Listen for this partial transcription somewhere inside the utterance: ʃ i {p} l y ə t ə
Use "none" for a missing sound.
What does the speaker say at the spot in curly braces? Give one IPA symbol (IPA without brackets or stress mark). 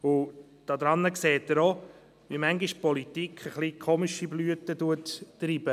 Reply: b